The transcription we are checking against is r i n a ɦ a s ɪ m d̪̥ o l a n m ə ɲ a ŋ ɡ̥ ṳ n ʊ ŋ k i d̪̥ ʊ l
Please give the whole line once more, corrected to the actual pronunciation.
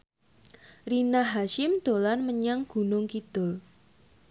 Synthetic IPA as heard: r i n a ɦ a ʃ ɪ m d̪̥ o l a n m ə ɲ a ŋ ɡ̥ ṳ n ʊ ŋ k i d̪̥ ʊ l